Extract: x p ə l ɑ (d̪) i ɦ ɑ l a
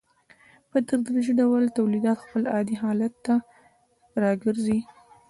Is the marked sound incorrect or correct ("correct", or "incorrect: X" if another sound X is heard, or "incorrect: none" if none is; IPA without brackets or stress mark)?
correct